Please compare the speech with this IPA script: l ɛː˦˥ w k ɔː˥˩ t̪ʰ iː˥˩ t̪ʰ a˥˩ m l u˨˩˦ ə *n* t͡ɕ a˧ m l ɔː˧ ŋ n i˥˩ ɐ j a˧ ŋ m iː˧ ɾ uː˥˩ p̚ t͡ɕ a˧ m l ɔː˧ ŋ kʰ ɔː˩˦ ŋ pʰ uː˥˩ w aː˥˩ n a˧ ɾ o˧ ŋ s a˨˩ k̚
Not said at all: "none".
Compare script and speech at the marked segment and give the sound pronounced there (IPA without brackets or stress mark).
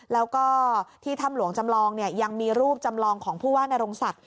ŋ